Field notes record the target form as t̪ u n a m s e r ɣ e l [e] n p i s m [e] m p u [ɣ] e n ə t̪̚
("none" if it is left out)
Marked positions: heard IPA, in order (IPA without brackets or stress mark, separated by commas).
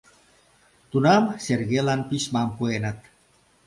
a, a, none